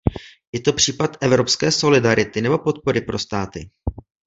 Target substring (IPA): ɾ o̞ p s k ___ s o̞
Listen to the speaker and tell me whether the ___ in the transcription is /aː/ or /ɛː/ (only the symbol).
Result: ɛː